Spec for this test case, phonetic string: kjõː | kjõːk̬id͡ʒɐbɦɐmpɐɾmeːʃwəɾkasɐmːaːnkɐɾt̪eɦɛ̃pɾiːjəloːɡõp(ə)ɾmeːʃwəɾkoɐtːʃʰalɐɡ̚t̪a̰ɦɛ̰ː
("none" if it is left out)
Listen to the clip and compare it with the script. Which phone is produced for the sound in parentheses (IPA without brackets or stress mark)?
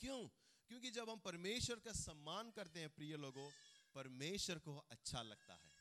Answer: ɐ